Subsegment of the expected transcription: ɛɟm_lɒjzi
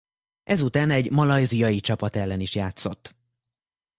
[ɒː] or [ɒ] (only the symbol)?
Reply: ɒ